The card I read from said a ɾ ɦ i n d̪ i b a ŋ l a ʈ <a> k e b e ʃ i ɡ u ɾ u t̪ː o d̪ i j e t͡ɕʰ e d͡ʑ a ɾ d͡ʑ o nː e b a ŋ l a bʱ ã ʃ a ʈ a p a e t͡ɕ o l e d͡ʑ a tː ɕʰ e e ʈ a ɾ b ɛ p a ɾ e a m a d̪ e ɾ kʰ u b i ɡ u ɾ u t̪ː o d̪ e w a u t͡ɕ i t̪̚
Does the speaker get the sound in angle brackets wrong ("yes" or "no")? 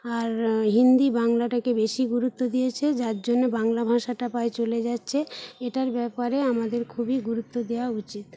no